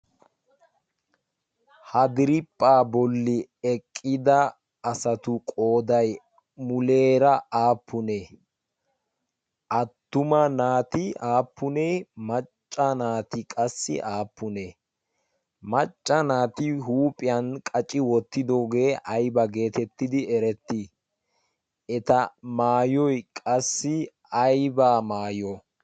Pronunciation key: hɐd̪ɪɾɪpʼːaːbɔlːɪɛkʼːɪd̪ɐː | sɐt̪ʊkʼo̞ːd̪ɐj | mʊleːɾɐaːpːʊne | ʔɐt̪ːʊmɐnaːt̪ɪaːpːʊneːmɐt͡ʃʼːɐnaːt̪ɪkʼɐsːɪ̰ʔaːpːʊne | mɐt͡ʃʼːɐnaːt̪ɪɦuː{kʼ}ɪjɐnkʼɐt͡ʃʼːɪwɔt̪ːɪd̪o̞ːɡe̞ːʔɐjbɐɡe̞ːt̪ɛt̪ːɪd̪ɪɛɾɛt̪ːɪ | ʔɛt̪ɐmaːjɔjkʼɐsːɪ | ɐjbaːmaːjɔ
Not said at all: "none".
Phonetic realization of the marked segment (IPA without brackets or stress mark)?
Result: pʼ